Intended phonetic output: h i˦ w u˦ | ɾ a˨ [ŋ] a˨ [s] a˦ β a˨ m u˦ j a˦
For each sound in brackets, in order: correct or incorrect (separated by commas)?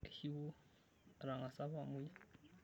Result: correct, correct